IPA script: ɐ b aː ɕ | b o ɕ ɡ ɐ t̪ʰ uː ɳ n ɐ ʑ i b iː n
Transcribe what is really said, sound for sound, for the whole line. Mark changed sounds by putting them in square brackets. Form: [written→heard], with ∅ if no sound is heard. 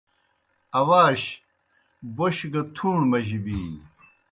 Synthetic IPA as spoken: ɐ [b→w] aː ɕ | b o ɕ ɡ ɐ t̪ʰ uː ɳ [n→m] ɐ ʑ i b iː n